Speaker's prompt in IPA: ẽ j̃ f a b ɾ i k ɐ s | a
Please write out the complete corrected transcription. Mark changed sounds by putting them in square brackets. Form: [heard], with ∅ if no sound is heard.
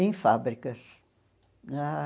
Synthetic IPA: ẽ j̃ f a b ɾ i k ɐ s | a

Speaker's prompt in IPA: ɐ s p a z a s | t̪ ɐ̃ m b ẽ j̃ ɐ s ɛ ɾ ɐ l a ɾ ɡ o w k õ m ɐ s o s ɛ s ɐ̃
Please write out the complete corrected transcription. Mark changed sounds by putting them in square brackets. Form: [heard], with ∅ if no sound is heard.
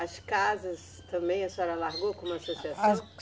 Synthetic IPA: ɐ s [k] a z [ɐ] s | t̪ ɐ̃ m b ẽ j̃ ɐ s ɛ ɾ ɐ l a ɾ ɡ o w k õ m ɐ s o s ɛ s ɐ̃

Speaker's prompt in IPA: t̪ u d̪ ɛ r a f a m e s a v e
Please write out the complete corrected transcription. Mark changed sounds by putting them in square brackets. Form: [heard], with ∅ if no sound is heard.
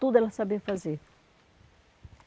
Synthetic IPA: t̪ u d̪ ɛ [l] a [s] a [b] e [f] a [z] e

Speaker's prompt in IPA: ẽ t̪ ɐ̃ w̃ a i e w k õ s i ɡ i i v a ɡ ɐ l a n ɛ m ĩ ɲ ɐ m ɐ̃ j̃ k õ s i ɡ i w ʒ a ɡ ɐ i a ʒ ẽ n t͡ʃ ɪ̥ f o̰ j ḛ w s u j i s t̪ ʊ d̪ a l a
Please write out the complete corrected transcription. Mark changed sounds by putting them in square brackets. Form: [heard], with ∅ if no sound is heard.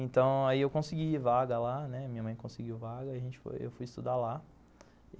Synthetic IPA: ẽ t̪ ɐ̃ w̃ a i e w k õ s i ɡ i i v a ɡ ɐ l a n ɛ m ĩ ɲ ɐ m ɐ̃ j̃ k õ s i ɡ i w [v] a ɡ ɐ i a ʒ ẽ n t͡ʃ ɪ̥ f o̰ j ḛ w [f] u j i s t̪ [u] d̪ a l a

